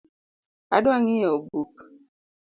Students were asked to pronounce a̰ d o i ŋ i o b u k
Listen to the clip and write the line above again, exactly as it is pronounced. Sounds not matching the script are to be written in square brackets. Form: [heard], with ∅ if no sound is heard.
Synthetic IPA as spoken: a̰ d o [a] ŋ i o b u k